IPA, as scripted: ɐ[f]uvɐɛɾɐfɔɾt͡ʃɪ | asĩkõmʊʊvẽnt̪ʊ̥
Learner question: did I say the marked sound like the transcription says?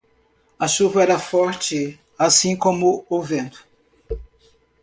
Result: no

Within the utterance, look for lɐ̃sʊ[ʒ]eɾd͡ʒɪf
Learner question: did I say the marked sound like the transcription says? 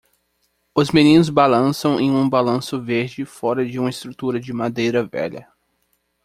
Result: no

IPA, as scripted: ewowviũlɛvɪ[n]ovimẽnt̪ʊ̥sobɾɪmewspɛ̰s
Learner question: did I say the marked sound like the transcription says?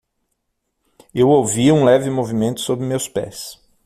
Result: no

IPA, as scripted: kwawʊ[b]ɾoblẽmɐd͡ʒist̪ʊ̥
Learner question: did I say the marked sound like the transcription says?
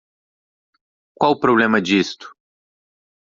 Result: no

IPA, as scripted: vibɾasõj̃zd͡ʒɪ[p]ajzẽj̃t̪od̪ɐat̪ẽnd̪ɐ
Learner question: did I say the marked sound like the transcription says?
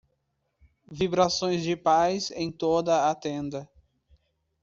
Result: yes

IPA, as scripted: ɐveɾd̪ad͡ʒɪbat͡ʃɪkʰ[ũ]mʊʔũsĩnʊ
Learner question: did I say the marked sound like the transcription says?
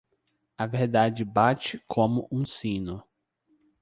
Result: no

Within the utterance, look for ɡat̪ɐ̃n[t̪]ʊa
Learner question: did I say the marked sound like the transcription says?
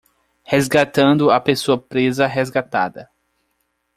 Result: no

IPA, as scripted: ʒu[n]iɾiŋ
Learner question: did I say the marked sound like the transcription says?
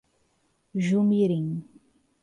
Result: no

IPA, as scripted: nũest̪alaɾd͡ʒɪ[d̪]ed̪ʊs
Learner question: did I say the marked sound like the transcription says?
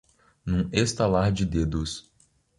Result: yes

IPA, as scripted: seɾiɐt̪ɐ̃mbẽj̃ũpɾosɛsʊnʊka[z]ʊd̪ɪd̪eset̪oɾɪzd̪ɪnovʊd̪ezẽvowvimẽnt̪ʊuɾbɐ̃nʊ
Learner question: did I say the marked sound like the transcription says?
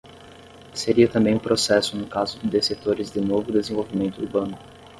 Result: yes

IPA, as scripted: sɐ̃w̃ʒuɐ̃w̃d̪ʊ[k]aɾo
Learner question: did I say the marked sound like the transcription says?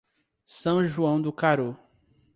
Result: yes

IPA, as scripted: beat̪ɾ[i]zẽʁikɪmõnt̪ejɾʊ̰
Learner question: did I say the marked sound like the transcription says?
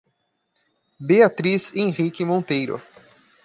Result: yes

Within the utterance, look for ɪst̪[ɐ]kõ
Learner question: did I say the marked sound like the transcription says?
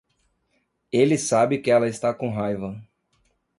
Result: no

